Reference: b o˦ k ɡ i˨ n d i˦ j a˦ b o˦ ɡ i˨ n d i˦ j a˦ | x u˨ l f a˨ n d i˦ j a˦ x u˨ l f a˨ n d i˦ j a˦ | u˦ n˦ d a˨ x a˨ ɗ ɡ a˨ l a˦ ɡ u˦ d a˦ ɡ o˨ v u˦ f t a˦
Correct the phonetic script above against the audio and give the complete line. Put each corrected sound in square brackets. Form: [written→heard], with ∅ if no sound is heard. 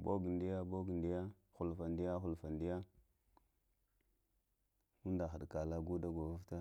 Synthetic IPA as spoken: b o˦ [k→∅] ɡ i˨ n d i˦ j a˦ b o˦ ɡ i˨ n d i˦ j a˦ | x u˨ l f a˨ n d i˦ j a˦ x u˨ l f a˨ n d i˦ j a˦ | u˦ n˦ d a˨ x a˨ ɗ [ɡ→k] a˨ l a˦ ɡ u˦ d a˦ ɡ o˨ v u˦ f t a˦